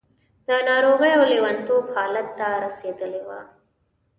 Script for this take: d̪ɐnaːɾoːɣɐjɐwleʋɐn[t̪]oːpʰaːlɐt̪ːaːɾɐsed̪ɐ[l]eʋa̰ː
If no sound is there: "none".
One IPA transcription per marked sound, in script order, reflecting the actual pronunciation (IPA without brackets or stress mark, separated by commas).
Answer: t̪, l